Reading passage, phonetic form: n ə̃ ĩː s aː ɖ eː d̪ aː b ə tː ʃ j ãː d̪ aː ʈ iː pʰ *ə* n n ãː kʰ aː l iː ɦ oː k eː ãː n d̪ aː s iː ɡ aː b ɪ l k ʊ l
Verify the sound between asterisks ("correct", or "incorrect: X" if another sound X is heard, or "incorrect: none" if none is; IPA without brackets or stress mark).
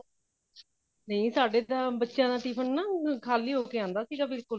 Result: correct